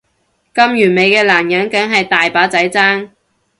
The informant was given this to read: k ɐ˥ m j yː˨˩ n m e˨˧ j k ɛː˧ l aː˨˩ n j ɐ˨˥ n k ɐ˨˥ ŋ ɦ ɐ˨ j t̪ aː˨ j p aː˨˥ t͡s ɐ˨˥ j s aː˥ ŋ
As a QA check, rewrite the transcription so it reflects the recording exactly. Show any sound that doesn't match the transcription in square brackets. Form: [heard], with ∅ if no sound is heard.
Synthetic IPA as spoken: k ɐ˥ m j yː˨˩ n m e˨˧ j k ɛː˧ l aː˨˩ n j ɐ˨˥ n k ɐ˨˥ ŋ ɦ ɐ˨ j t̪ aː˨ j p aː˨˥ t͡s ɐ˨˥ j [t͡s] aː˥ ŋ